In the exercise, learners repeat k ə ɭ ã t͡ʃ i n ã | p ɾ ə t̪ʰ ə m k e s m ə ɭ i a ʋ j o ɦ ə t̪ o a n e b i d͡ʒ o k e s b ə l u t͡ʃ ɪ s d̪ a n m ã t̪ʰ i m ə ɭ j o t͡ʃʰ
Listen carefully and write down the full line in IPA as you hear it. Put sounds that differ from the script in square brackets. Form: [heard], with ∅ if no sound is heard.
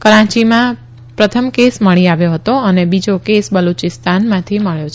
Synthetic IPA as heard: k ə [ɾ] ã t͡ʃ i [m] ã | p ɾ ə t̪ʰ ə m k e s m ə ɭ i a ʋ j o ɦ ə t̪ o [ə] n e b i d͡ʒ o k e s b ə l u t͡ʃ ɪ s [t̪] a n m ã t̪ʰ i m ə ɭ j o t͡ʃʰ